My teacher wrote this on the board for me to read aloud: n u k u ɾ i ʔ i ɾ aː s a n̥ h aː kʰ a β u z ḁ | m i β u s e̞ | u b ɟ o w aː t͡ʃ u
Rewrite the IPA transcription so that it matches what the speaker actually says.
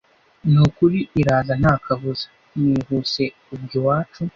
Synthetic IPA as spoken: n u k u ɾ i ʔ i ɾ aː z a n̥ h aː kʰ a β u z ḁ | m i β u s e̞ | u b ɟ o w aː t͡ʃ u

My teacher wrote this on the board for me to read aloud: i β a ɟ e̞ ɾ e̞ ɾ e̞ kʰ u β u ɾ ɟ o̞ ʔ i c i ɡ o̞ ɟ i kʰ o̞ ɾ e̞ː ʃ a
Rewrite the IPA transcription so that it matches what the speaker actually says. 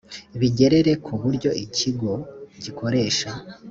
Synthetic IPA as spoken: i β i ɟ e̞ ɾ e̞ ɾ e̞ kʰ u β u ɾ ɟ o̞ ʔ i c i ɡ o̞ ɟ i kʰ o̞ ɾ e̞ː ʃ a

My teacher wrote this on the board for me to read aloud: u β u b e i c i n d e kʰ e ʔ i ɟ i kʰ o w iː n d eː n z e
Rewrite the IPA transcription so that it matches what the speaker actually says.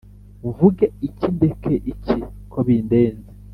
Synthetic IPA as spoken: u v u ɡ e i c i n d e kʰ e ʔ i c i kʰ o β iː n d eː n z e

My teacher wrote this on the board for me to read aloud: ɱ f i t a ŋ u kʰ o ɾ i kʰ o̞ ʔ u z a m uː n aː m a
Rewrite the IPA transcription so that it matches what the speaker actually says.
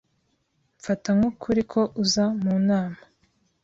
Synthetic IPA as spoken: ɱ f a t a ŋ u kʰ u ɾ i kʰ o̞ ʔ u z a m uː n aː m a

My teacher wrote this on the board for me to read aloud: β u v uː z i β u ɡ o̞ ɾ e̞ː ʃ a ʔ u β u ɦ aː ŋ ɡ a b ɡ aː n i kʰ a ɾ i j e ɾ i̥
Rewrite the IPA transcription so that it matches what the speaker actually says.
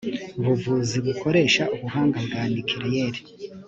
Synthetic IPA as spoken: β u v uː z i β u k o̞ ɾ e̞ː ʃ a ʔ u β u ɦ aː ŋ ɡ a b ɡ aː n i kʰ i ɾ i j e ɾ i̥

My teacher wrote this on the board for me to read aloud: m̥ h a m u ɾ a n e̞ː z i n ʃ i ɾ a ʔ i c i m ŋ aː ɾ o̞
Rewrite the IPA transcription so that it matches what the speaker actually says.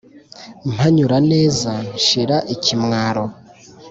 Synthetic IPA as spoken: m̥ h a ɲ u ɾ a n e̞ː z a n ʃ i ɾ a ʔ i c i m ŋ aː ɾ o̞

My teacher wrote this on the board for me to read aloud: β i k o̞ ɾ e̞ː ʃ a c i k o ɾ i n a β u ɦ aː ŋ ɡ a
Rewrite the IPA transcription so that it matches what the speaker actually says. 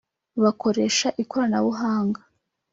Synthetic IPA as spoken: β a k o̞ ɾ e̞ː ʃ a ʔ i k o ɾ a n a β u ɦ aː ŋ ɡ a

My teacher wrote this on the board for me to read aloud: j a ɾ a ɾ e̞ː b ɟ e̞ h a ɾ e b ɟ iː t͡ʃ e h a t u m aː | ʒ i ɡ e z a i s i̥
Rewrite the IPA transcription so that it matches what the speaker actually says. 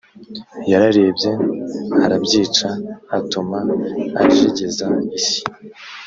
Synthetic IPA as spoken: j a ɾ a ɾ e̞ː b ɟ e̞ h a ɾ a b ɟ iː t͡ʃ a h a t u m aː | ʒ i ɟ e z a i s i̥

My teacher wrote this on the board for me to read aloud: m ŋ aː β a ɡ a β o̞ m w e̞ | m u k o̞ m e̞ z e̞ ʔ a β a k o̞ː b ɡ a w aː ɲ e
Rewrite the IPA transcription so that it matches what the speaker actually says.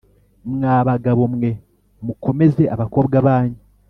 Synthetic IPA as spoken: m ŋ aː β a ɡ a β o̞ m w e̞ | m u k o̞ m e̞ z e̞ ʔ a β a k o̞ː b ɡ a β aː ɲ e

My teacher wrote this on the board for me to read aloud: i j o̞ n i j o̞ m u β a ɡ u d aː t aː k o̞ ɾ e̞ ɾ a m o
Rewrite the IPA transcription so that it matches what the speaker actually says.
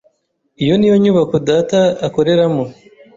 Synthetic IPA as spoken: i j o̞ n i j o̞ ɲ u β a k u d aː t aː k o̞ ɾ e̞ ɾ a m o

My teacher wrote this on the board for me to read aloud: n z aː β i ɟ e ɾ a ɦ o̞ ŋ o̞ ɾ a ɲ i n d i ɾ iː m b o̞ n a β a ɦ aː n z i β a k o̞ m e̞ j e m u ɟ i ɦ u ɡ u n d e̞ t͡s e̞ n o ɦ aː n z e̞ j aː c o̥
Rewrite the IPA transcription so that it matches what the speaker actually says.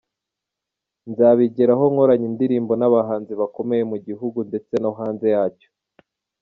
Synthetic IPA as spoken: n z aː β i ɟ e ɾ a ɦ o̞ ŋ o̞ ɾ a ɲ i n d i ɾ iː m b o̞ n a β a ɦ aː n z i β a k o̞ m e̞ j e m u ɟ i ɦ u ɡ u n d e̞ t͡s e̞ n o ɦ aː n z e̞ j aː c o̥

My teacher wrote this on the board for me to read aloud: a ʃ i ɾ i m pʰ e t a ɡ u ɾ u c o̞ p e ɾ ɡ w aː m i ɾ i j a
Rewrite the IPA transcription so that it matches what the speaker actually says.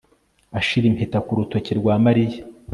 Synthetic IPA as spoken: a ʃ i ɾ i m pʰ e t a k u ɾ u t o̞ c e ɾ ɡ w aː m a ɾ i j a

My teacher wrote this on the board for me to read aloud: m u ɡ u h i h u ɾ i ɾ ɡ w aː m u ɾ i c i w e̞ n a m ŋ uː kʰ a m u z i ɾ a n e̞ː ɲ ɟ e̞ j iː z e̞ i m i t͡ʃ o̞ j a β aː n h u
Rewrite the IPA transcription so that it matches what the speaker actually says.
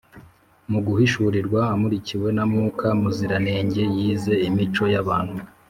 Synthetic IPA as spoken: m u ɡ u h i ʃ u ɾ i ɾ ɡ w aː m u ɾ i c i w e̞ n a m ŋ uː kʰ a m u z i ɾ a n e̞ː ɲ ɟ e̞ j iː z e̞ i m i t͡ʃ o̞ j a β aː n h u

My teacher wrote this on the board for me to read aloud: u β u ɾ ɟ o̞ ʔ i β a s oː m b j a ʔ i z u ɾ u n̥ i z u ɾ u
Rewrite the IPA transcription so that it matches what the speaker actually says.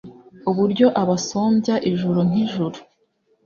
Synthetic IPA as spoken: u β u ɾ ɟ o̞ ʔ a β a s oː m b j a ʔ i ʒ u ɾ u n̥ i ʒ u ɾ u

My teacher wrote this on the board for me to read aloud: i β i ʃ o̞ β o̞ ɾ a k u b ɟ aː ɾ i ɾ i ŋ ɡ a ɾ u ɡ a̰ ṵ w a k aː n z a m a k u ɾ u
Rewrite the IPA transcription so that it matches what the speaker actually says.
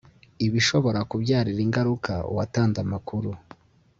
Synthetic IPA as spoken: i β i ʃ o̞ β o̞ ɾ a k u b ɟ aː ɾ i ɾ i ŋ ɡ a ɾ u k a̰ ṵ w a t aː n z a m a k u ɾ u

